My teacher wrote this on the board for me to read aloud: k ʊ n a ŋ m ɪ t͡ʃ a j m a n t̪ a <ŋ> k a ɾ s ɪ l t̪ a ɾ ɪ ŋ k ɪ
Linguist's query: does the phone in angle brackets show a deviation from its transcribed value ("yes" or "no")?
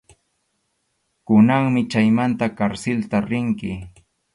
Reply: yes